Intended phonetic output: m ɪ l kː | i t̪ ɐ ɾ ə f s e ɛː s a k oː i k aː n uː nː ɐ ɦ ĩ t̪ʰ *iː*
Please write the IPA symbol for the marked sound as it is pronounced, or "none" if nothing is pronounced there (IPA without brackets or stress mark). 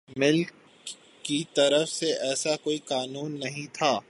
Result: aː